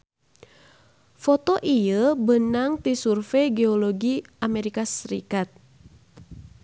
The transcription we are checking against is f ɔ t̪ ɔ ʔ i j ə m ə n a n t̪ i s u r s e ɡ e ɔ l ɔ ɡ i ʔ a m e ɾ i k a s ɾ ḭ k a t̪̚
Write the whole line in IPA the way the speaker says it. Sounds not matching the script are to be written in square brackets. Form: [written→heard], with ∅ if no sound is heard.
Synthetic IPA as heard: f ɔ t̪ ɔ ʔ i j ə [m→b] ə n a [n→ŋ] t̪ i s u r [s→f] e ɡ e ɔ l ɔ ɡ i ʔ a m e ɾ i k a s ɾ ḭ k a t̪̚